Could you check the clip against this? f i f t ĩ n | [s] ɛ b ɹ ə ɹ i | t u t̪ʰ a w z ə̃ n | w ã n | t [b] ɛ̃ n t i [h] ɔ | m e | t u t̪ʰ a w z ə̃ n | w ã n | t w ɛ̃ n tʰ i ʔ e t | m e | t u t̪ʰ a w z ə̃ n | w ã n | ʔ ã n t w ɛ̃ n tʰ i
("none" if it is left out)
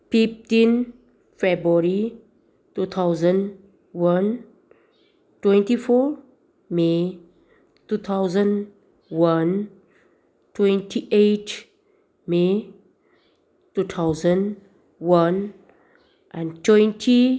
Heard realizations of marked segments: f, w, f

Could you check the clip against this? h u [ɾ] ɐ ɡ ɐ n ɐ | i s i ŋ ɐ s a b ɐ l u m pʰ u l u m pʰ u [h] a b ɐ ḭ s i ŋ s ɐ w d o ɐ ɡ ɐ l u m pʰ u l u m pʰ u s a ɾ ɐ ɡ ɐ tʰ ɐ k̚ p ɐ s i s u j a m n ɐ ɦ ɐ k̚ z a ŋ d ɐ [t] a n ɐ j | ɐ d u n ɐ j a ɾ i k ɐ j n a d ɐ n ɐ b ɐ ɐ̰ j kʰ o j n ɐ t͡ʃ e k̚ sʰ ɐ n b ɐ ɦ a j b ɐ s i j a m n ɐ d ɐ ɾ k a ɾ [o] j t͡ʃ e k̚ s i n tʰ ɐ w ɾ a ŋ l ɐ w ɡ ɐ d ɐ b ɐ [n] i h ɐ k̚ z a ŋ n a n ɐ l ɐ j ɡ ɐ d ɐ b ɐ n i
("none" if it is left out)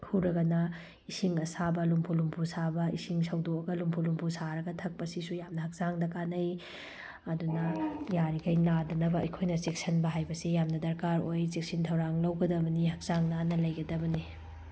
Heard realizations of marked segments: ɾ, s, k, o, n

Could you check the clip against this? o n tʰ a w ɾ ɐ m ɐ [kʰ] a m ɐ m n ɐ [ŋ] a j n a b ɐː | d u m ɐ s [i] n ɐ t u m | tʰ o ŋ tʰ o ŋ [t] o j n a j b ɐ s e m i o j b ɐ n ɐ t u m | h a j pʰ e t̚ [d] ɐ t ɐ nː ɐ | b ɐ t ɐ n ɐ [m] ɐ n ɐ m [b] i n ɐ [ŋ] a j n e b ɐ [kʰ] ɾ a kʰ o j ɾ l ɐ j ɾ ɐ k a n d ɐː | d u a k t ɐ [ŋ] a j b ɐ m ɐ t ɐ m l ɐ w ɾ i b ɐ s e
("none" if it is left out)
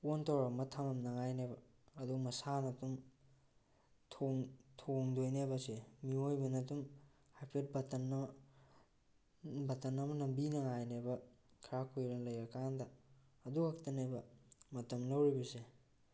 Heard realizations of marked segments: tʰ, ŋ, a, d, b, m, b, ŋ, kʰ, n

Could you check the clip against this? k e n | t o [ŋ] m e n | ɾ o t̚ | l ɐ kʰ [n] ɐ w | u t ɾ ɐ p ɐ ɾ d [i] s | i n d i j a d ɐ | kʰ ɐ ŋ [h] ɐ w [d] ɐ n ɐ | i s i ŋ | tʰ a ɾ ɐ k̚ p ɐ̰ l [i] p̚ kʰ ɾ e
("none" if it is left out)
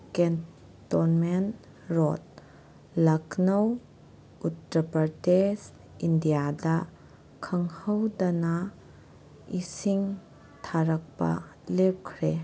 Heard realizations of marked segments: n, n, e, h, d, e

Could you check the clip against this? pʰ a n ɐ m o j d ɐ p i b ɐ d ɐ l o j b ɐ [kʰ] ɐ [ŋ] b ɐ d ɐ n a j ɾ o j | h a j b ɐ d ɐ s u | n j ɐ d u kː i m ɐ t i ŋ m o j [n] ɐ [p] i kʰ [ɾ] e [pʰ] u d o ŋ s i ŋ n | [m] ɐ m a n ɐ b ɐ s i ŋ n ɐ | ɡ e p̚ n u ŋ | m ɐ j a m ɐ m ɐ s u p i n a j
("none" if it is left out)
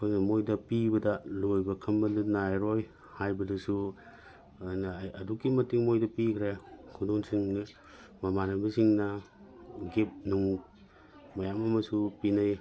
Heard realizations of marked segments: kʰ, m, d, p, ɾ, kʰ, m

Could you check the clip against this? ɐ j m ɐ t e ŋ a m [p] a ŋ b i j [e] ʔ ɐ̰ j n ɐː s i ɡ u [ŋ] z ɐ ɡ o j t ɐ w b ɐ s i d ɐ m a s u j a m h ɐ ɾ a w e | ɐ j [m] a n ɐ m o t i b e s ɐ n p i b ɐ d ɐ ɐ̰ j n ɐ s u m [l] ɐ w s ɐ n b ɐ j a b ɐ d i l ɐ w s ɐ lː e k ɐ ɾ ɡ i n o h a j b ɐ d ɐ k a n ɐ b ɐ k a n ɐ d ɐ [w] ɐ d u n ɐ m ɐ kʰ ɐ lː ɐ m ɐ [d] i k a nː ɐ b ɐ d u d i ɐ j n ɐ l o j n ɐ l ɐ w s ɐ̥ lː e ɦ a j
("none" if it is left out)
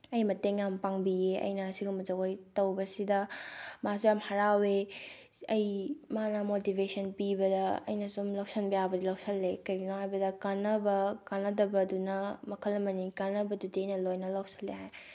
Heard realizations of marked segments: p, e, m, m, l, b, n

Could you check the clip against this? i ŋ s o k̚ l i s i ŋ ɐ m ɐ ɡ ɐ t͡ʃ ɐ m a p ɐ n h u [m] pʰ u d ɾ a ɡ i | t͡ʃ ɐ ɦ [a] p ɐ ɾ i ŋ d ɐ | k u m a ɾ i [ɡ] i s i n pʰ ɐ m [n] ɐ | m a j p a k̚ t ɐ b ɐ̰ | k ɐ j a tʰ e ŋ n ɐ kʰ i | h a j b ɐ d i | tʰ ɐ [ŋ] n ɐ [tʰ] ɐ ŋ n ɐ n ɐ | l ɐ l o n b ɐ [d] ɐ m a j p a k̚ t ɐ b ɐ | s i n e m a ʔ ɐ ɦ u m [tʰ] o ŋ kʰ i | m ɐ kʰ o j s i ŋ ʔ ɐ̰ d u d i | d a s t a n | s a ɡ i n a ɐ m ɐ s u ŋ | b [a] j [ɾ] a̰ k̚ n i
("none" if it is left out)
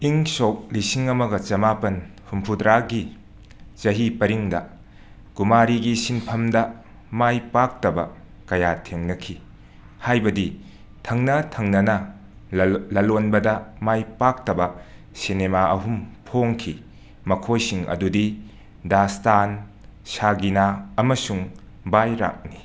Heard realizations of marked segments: m, i, ɡ, d, ŋ, tʰ, d, pʰ, a, ɾ

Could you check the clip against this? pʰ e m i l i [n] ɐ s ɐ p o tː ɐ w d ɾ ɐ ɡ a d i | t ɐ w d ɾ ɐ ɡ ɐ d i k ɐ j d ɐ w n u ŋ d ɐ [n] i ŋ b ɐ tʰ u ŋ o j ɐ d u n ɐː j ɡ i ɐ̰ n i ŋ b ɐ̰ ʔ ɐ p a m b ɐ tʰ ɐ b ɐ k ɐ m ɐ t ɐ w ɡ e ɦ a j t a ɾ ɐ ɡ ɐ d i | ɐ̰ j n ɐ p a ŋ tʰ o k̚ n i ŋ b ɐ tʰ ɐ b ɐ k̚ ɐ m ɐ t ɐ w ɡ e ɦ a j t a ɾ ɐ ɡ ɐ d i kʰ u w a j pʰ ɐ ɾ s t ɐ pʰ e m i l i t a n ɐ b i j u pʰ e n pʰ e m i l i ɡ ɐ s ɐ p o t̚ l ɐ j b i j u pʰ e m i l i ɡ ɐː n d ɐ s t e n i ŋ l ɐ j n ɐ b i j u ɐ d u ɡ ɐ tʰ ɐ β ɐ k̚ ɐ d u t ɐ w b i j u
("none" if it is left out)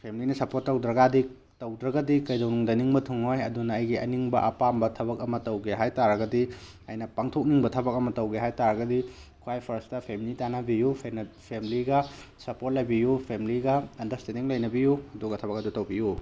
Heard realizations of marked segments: n, n

